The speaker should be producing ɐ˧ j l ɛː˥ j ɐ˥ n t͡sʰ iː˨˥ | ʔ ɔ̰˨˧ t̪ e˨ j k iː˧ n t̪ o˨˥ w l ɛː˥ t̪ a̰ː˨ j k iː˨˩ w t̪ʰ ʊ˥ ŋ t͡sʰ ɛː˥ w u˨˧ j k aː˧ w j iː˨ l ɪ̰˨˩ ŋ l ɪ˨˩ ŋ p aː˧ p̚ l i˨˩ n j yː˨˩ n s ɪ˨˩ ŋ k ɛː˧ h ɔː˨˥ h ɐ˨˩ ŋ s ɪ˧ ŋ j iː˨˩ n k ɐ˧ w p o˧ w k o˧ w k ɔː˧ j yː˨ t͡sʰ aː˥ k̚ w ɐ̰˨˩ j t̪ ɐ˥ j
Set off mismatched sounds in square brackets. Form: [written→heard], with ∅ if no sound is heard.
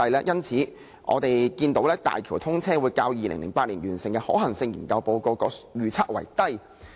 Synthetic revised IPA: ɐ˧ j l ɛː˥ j ɐ˥ n t͡sʰ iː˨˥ | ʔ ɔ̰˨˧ t̪ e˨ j k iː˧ n t̪ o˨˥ w l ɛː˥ t̪ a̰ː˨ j [k→kʰ] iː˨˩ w t̪ʰ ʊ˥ ŋ t͡sʰ ɛː˥ w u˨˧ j k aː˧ w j iː˨ l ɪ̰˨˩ ŋ l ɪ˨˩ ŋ p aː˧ [p̚→t̚] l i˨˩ n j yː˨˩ n s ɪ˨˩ ŋ k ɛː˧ h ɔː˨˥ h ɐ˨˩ ŋ s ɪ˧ ŋ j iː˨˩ n k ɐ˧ w p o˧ w k o˧ w k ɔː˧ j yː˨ t͡sʰ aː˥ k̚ w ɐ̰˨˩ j t̪ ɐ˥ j